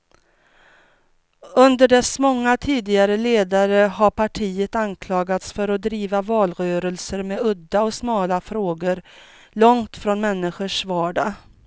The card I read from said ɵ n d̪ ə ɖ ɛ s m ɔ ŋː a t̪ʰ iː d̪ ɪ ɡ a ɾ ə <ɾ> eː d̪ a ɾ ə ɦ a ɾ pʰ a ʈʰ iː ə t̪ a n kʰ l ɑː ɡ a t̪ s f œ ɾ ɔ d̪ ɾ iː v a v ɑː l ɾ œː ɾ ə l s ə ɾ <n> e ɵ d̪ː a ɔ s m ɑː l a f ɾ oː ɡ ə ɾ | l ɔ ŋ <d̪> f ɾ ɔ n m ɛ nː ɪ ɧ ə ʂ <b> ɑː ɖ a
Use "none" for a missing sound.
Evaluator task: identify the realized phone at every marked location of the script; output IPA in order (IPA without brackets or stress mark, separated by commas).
l, m, t̪, v